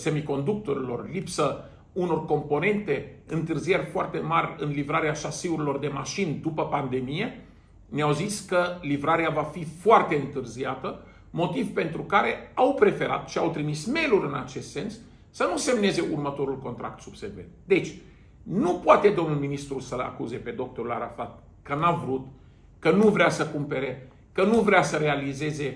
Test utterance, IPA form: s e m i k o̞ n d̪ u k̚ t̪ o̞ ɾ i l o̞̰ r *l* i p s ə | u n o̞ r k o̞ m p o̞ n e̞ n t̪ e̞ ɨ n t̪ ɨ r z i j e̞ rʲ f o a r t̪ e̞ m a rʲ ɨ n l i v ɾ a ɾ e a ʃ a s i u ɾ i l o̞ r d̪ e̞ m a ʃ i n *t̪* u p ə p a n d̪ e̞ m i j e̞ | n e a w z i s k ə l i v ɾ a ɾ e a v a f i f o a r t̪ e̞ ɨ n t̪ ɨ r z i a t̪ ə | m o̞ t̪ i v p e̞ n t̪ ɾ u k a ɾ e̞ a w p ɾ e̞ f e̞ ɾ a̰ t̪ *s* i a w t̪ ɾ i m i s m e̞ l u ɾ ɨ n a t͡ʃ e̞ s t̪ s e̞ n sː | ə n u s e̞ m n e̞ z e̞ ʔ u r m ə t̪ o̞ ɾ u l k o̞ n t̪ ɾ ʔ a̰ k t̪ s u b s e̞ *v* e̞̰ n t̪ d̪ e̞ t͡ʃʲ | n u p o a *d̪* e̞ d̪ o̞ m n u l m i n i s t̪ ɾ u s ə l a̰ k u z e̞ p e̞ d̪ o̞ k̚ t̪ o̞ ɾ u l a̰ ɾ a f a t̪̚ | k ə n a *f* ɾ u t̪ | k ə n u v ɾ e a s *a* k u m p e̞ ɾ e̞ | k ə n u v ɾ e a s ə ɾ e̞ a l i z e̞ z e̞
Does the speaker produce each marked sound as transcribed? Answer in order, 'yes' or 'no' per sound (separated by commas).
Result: yes, no, no, yes, no, no, no